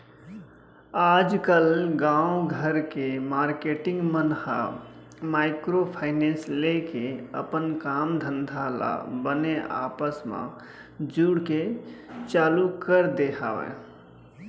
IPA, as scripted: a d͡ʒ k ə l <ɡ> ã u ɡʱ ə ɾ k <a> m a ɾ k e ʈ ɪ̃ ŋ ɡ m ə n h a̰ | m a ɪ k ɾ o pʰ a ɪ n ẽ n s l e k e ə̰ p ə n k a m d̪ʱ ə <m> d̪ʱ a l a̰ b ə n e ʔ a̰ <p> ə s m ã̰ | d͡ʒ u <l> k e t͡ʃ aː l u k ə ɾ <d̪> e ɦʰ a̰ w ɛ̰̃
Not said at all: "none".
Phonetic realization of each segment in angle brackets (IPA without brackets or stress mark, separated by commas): ɡ, e, n, p, ɽ, d̪